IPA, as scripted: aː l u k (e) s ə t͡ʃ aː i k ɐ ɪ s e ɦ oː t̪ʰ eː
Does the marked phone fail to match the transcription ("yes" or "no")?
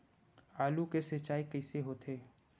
no